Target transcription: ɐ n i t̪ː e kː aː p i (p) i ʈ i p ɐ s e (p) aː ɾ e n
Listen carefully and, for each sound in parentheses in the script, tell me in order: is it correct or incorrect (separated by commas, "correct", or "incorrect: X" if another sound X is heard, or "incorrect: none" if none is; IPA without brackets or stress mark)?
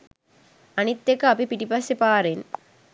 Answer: correct, correct